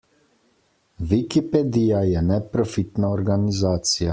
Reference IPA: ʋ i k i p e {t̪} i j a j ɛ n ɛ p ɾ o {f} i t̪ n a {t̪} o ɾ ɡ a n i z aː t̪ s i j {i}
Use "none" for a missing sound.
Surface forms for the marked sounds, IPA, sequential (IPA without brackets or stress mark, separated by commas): d̪, f, none, a